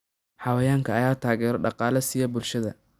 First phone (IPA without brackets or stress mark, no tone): ħ